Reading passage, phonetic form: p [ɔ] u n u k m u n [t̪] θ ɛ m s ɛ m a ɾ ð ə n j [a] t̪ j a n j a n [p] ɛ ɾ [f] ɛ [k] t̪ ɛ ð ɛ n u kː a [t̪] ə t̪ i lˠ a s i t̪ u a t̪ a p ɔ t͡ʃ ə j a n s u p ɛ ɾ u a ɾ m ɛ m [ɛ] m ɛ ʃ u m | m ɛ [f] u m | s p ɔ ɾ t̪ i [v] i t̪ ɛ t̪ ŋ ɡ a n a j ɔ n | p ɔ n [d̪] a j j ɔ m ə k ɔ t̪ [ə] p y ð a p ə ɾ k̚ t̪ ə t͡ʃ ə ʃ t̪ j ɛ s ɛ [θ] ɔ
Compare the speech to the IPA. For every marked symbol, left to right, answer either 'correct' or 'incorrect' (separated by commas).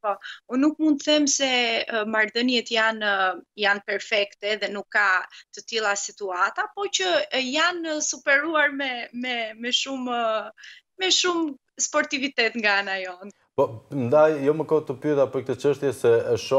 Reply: correct, incorrect, incorrect, correct, correct, correct, correct, correct, incorrect, correct, correct, correct, incorrect